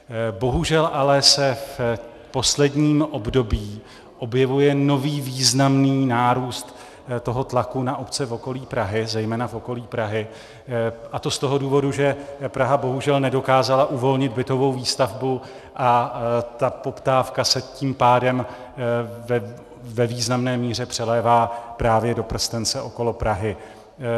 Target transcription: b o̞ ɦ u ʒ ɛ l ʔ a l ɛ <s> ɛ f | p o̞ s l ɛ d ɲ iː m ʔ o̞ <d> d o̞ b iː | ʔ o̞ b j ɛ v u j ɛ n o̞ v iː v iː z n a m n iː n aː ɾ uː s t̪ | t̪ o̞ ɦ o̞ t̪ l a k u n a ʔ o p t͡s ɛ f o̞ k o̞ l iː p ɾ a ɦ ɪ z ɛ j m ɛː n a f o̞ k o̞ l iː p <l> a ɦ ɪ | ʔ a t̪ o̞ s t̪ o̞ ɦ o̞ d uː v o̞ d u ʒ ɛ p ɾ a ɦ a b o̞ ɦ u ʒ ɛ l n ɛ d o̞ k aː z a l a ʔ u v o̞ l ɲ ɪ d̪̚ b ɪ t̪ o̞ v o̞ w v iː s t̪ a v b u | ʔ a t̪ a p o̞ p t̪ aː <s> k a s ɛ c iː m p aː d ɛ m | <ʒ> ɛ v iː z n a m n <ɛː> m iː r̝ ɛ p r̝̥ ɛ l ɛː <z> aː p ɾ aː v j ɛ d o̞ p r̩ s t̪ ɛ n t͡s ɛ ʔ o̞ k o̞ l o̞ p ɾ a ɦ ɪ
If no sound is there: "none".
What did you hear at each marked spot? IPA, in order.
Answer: s, b, ɾ, f, v, ɛː, v

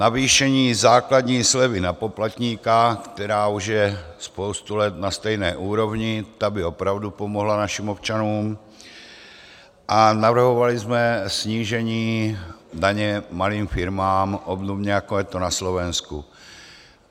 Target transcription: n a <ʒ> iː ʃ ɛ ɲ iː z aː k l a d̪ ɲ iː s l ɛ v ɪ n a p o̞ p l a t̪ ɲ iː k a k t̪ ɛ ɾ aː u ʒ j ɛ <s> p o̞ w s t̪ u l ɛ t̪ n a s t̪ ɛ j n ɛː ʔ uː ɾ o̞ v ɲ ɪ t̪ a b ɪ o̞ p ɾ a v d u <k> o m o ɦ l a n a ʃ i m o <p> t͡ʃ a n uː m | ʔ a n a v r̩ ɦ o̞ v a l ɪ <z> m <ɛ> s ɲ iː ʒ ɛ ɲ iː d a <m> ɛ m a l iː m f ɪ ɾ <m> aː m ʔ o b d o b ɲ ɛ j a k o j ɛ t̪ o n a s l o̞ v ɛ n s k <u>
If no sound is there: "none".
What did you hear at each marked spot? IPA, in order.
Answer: v, s, p, p, z, ɛ, ɲ, m, u

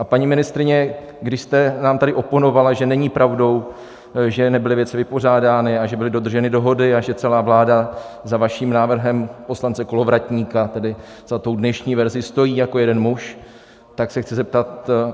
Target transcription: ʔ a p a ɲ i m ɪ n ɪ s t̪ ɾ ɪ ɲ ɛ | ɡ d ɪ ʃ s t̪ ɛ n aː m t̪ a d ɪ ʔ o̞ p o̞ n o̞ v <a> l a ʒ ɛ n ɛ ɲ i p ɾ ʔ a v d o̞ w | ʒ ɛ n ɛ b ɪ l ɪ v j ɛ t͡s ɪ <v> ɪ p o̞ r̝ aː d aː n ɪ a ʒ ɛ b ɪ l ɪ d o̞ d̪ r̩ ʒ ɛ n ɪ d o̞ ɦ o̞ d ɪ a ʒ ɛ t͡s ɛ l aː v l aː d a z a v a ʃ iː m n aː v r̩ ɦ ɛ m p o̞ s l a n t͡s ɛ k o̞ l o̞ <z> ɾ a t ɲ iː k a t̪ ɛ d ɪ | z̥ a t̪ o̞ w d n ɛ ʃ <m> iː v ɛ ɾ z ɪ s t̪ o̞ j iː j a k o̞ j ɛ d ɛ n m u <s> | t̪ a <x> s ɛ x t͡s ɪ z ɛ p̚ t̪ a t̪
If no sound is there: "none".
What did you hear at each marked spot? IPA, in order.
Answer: a, v, v, ɲ, ʃ, k

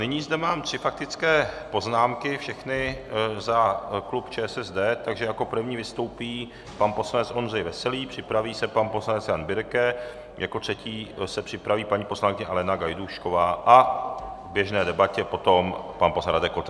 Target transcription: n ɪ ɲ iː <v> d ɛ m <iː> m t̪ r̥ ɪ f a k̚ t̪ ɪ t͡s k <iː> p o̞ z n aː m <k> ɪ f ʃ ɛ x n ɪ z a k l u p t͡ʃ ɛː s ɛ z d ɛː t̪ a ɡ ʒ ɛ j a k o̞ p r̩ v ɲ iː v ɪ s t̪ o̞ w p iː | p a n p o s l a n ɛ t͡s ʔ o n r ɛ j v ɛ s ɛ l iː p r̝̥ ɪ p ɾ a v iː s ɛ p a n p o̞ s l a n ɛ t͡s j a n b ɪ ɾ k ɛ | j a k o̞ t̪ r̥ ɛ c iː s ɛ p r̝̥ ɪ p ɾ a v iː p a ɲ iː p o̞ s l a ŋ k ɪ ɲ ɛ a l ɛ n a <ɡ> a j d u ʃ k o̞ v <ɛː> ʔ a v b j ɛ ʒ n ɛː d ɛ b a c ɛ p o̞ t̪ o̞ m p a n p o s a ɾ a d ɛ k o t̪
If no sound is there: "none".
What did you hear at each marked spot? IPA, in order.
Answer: z, aː, ɛː, k, ɡ, aː

